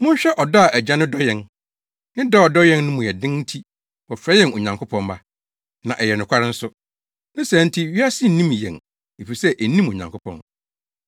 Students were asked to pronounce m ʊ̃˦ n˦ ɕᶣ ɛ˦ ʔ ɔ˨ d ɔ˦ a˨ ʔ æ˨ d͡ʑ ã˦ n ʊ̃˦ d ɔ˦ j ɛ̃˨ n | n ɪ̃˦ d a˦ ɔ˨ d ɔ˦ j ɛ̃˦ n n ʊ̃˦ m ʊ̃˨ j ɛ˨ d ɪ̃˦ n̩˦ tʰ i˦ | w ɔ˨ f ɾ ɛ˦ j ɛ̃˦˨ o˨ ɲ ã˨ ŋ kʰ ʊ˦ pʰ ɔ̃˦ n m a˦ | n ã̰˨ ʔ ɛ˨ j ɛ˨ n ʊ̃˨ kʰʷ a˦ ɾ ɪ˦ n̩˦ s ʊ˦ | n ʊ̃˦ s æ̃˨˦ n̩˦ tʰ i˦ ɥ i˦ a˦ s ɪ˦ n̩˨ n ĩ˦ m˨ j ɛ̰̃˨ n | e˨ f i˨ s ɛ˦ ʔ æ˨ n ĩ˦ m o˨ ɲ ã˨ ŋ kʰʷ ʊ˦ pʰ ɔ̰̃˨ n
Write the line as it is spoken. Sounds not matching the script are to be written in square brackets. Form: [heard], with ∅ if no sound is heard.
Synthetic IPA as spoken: m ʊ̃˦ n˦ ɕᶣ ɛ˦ ʔ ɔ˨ d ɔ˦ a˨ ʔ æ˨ d͡ʑ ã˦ n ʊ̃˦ d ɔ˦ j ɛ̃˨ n | n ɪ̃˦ d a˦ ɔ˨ d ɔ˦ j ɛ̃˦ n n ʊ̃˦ m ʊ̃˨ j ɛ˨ d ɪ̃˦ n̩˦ tʰ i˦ | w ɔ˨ f ɾ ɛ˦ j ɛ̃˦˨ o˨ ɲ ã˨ ŋ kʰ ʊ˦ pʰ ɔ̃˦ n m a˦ | n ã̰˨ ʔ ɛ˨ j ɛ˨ n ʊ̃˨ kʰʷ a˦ ɾ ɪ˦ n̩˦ s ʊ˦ | n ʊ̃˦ s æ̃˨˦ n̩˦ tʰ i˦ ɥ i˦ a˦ s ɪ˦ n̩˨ n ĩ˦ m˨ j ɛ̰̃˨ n | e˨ f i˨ s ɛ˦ ʔ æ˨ n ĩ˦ m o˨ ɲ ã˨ ŋ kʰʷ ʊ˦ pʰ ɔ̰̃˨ n